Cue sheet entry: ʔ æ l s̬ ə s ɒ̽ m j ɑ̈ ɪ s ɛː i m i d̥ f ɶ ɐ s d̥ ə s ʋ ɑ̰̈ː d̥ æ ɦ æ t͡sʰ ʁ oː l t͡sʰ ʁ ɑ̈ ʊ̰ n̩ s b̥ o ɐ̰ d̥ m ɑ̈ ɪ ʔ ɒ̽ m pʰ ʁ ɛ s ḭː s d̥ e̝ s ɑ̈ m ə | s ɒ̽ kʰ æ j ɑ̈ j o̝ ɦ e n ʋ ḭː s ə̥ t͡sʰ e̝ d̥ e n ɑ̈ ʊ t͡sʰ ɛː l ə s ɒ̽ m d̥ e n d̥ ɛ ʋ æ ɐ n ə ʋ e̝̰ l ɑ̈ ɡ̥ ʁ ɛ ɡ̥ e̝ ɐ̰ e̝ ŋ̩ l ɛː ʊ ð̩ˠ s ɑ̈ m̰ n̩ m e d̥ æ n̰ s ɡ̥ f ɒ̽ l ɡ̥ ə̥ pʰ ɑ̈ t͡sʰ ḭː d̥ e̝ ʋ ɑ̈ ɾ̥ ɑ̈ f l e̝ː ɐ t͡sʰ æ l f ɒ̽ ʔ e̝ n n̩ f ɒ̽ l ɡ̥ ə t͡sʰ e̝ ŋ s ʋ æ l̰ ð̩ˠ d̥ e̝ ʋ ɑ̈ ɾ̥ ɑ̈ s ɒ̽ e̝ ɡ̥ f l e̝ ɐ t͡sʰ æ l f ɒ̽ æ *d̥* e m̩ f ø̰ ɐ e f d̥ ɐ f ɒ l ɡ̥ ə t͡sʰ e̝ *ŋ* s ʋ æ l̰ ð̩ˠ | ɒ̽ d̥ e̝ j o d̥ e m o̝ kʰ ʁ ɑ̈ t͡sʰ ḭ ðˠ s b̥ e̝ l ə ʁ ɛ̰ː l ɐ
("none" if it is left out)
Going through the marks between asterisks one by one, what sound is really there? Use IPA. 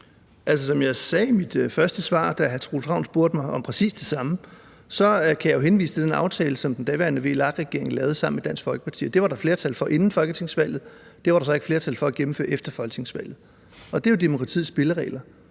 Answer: ɡ̥, ŋ

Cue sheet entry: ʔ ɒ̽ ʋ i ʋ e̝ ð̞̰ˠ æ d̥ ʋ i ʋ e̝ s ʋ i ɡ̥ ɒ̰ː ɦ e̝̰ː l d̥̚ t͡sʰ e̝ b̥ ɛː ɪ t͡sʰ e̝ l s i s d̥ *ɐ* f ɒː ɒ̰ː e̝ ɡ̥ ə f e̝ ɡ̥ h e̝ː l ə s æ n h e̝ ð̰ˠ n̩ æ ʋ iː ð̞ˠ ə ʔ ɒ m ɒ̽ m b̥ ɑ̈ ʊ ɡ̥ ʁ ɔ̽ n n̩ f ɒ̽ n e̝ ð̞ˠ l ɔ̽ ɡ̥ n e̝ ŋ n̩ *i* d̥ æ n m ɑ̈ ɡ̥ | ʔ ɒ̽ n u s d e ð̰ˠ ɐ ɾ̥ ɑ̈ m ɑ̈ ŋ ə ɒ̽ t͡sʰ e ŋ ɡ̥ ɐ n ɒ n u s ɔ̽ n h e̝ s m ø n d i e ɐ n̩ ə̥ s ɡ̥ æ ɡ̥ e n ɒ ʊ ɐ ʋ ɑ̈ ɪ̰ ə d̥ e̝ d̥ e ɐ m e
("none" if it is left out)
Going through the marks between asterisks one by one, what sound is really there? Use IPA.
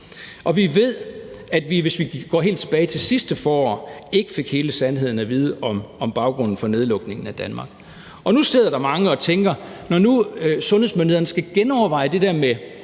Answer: ə, æ

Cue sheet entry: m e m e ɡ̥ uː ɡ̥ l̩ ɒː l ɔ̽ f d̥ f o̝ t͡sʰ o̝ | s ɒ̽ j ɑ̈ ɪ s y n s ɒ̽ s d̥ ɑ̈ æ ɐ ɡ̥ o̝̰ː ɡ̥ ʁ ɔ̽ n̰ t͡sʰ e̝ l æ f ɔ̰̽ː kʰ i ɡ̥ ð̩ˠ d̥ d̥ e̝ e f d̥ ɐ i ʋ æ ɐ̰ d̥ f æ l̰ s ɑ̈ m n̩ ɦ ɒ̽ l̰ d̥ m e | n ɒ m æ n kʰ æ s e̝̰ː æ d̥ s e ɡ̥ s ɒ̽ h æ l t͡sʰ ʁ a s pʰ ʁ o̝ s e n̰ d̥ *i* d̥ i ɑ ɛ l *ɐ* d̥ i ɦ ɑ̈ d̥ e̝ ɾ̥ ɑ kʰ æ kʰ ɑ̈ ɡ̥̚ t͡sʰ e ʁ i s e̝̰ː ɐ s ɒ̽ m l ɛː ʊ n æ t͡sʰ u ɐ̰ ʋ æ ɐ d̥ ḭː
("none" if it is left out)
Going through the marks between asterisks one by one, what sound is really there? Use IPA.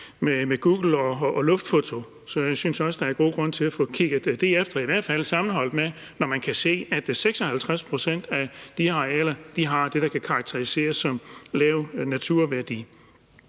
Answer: æ, ɐ

